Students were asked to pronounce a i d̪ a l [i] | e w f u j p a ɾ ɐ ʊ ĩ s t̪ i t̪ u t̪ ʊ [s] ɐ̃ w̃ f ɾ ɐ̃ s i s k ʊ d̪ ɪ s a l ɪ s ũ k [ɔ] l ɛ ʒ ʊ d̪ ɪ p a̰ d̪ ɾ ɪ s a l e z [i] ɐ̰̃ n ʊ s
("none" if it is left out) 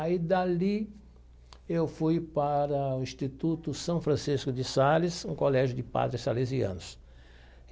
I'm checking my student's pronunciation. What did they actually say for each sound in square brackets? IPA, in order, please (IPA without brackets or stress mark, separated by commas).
i, s, o, i